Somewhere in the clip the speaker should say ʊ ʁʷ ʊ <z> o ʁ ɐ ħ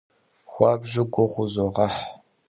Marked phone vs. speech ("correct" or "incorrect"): correct